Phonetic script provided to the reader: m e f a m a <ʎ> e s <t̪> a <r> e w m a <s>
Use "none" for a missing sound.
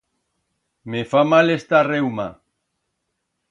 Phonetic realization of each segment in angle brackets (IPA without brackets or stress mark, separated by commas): l, t̪, r, none